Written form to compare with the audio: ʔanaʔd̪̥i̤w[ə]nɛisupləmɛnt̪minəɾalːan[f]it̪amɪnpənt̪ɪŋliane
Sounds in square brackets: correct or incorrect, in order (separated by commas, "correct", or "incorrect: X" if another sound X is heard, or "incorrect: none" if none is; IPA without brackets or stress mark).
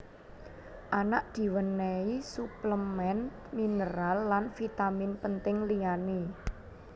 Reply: correct, correct